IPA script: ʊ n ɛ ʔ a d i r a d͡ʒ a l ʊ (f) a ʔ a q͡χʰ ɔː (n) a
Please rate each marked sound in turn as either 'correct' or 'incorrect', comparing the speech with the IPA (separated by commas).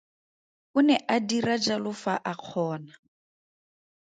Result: correct, correct